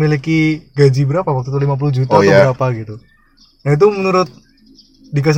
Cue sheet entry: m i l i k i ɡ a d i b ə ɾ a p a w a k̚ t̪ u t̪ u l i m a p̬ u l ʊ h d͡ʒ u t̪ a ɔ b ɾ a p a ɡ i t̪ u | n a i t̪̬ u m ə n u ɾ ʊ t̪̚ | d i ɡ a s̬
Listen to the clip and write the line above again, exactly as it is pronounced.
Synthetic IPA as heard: m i l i k i ɡ a d͡ʒ i b ə ɾ a p a w a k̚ t̪ u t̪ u l i m a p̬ u l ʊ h d͡ʒ u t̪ a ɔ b ɾ a p a ɡ i t̪ u | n a i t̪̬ u m ə n u ɾ ʊ t̪̚ | d i k a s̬